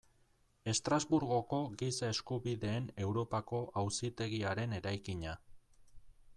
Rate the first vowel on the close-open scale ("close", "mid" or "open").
mid